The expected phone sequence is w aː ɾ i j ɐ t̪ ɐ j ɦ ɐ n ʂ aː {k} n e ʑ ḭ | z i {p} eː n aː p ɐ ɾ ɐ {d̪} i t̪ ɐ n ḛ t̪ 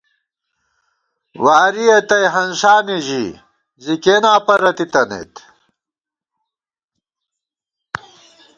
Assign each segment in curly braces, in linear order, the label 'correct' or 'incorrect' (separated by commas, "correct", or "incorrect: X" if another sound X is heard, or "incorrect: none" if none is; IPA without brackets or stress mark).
incorrect: none, incorrect: k, incorrect: t̪